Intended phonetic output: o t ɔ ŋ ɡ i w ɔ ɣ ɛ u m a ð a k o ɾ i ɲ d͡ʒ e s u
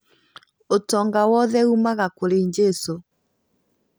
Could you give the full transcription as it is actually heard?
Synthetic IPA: o t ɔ ŋ ɡ a w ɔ ð ɛ u m a ɣ a k o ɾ e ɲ d͡ʒ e s o